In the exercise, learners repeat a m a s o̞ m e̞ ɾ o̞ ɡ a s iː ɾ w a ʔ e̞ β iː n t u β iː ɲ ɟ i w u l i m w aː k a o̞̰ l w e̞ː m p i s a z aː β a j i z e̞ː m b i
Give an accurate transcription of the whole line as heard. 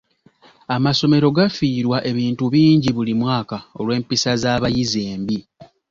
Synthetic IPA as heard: a m a s o̞ m e̞ ɾ o̞ ɡ a f iː ɾ w a ʔ e̞ β iː n t u β iː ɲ ɟ i β u l i m w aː k a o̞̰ l w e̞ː m p i s a z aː β a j i z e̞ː m b i